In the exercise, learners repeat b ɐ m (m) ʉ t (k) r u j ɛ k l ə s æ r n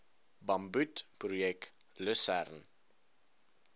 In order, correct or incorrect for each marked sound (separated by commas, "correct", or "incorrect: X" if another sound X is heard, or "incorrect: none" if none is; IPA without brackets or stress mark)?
incorrect: b, incorrect: p